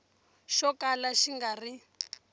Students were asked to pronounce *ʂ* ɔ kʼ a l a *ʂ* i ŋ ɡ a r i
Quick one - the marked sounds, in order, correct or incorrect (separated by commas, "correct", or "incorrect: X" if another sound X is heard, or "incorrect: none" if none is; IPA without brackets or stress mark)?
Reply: incorrect: ʃ, incorrect: ʃ